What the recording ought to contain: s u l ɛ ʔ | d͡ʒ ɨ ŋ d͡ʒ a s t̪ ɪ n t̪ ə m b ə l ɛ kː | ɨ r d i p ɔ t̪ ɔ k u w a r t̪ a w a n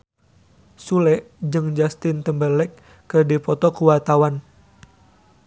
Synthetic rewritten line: s u l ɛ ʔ | d͡ʒ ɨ ŋ d͡ʒ a s t̪ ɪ n t̪ ə m b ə l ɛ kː | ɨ r d i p ɔ t̪ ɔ k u w a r t̪ a w a n